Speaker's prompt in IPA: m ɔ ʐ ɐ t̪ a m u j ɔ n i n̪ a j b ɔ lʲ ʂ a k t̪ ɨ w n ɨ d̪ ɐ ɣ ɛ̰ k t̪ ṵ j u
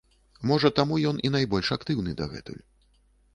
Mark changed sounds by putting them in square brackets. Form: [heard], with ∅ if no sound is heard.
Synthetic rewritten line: m ɔ ʐ ɐ t̪ a m u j ɔ n i n̪ a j b ɔ lʲ ʂ a k t̪ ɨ w n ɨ d̪ ɐ ɣ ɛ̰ [∅] t̪ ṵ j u